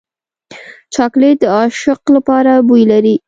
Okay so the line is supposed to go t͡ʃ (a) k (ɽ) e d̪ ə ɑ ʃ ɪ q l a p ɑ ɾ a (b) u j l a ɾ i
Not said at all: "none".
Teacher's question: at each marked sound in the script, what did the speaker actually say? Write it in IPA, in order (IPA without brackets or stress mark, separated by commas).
ɑ, l, b